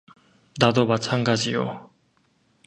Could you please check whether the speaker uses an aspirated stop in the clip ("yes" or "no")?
yes